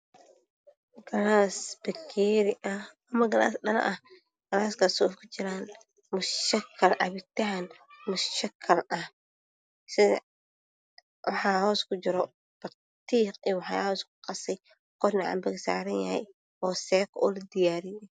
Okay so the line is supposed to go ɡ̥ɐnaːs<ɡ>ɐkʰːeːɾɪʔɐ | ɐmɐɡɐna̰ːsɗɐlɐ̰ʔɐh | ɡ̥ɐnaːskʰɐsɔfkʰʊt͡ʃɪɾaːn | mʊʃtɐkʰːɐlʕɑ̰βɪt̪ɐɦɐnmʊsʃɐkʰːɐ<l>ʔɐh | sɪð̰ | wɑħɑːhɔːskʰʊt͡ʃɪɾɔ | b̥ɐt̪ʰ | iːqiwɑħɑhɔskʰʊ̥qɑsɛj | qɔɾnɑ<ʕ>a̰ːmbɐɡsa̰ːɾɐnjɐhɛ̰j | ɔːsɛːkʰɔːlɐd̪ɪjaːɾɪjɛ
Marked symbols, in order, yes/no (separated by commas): no, yes, yes